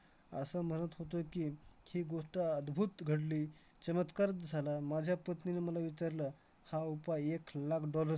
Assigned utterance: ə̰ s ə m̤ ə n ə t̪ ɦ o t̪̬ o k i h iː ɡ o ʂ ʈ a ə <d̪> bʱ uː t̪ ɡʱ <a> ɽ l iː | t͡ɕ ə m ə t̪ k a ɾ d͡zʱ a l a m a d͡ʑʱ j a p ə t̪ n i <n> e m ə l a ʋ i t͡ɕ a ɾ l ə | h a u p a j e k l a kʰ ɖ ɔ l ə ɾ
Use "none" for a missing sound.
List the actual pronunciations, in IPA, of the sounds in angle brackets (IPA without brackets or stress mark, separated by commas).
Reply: d̪, ə, n